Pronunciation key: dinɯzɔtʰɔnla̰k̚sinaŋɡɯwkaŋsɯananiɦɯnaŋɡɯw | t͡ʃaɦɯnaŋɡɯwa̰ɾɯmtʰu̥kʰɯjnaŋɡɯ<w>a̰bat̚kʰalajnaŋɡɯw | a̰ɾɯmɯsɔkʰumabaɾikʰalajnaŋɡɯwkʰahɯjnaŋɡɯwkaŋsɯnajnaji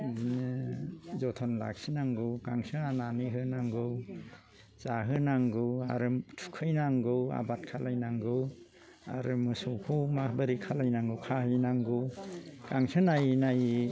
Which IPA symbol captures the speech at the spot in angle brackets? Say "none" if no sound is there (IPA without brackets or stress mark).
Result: w